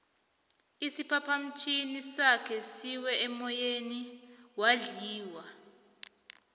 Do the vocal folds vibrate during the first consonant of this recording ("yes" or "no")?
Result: no